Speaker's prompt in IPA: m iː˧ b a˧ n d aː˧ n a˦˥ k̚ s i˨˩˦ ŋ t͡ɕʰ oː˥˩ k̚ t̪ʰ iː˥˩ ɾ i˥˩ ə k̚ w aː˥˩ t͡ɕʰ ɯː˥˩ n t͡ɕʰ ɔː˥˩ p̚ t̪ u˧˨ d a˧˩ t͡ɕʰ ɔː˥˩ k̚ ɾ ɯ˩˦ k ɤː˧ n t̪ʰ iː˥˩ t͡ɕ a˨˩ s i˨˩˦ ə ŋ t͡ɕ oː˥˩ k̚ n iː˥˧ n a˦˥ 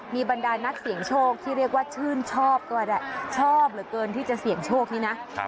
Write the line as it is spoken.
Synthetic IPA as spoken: m iː˧ b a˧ n d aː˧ n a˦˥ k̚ s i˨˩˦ ŋ t͡ɕʰ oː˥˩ k̚ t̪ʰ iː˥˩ ɾ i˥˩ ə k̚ w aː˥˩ t͡ɕʰ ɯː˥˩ n t͡ɕʰ ɔː˥˩ p̚ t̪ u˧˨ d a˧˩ t͡ɕʰ ɔː˥˩ p̚ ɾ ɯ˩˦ k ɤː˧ n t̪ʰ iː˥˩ t͡ɕ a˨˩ s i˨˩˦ ə ŋ t͡ɕʰ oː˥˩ k̚ n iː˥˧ n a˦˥